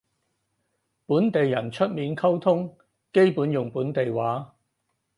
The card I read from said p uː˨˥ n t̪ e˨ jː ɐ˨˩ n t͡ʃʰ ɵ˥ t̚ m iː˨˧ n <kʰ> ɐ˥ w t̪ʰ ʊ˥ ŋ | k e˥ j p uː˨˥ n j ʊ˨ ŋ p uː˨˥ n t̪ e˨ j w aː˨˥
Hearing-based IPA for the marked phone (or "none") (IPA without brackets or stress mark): kʰ